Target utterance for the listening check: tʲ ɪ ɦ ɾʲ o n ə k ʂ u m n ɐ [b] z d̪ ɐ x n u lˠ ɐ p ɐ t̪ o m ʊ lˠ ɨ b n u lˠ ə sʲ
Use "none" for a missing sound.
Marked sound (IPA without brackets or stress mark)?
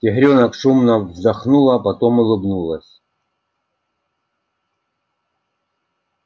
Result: v